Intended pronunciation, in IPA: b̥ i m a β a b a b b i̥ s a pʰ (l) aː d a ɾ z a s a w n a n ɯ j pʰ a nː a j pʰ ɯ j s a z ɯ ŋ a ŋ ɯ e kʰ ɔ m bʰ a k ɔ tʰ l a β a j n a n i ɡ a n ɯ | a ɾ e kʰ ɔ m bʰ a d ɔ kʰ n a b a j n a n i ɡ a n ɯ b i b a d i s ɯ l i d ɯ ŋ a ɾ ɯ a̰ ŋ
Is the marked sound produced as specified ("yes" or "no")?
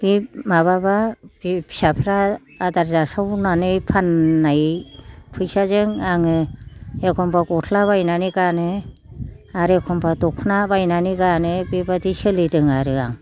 no